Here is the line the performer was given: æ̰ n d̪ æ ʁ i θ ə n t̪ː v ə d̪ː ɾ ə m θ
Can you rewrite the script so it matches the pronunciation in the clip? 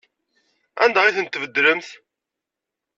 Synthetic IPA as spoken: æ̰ n d̪ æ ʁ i θ ə n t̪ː v ə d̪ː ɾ ə m θ